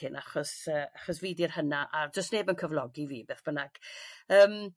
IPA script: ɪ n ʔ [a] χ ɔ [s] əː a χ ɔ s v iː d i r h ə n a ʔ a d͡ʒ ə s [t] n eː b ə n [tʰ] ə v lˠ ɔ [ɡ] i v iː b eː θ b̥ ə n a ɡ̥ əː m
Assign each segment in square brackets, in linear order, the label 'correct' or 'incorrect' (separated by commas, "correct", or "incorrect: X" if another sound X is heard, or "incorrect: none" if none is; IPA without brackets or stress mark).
correct, correct, correct, incorrect: kʰ, correct